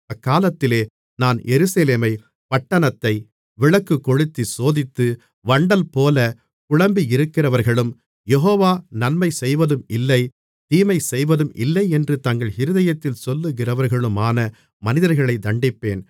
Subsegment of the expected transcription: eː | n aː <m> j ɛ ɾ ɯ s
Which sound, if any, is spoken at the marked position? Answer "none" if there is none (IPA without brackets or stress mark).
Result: n